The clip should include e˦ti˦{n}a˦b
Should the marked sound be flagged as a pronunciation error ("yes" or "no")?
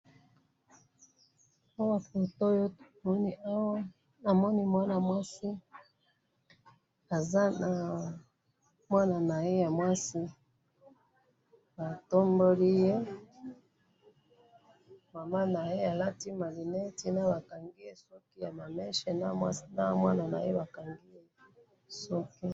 no